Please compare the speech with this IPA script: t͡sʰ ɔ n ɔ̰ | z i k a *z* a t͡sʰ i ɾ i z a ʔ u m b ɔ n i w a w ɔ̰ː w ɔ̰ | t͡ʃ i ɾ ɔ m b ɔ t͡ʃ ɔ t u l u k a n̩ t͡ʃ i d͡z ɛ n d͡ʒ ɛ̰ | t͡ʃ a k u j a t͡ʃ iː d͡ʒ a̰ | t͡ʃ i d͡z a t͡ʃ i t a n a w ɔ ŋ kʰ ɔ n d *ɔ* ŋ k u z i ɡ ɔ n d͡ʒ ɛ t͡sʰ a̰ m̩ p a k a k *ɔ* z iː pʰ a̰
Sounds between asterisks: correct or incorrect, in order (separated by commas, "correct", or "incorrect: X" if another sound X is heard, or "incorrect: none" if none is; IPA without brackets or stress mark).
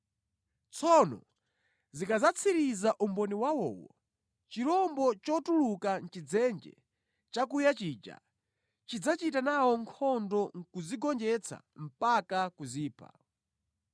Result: correct, correct, incorrect: u